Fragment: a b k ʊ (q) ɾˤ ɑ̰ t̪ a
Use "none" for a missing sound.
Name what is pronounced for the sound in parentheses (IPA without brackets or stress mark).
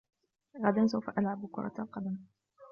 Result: none